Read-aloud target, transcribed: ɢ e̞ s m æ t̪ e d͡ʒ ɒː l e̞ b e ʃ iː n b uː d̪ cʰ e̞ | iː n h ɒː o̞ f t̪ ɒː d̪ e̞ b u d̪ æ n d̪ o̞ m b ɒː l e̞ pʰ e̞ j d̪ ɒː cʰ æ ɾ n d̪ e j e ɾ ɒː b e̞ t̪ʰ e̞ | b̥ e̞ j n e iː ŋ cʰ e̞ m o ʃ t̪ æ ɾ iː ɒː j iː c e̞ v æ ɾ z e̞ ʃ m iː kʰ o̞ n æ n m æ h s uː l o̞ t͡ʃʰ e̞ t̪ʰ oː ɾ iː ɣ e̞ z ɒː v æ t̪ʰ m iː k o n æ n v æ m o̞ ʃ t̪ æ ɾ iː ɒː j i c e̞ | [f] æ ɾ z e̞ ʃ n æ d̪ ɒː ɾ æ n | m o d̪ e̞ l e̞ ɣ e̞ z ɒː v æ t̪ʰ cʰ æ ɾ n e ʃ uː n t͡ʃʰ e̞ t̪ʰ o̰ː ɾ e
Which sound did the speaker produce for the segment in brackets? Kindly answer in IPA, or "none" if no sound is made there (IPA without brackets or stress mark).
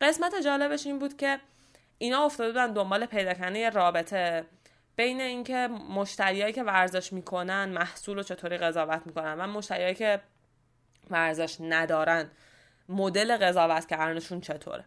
v